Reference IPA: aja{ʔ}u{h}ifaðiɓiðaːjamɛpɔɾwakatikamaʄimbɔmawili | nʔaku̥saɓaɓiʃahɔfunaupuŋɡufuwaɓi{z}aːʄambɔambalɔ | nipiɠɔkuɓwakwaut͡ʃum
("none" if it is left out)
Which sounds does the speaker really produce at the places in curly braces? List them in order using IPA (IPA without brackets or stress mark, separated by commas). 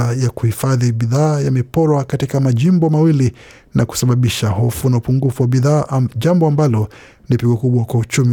k, h, ð